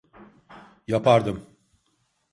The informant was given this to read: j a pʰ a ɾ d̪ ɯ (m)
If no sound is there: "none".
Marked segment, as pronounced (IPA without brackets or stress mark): m